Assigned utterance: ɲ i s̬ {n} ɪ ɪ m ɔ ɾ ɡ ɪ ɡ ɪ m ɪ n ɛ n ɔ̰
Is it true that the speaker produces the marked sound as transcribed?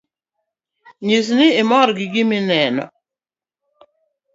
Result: yes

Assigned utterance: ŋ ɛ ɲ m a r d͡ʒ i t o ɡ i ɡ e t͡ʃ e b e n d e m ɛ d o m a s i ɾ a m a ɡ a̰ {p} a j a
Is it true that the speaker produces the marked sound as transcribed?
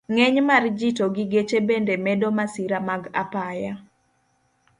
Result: yes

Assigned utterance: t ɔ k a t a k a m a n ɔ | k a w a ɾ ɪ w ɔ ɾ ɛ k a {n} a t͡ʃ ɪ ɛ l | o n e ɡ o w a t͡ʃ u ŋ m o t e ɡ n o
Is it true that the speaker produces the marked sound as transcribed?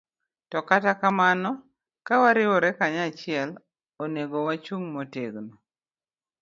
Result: no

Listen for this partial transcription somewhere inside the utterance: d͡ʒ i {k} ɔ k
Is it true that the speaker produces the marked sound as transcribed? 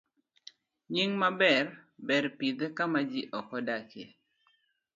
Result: no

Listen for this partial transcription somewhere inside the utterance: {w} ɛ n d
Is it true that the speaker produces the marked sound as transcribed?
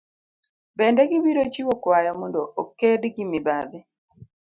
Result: no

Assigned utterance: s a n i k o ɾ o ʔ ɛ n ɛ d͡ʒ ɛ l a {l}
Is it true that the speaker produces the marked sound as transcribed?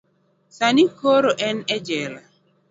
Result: no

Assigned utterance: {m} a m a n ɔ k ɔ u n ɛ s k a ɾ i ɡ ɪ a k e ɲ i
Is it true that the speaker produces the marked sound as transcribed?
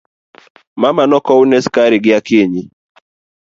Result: yes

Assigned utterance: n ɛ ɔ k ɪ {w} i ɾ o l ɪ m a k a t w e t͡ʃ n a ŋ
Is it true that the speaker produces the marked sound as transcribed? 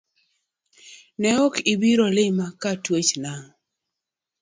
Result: no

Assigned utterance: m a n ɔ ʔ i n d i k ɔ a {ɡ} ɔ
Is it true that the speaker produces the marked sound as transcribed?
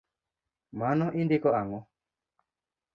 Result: no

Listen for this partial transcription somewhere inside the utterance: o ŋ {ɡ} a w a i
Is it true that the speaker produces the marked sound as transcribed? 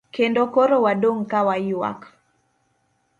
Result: no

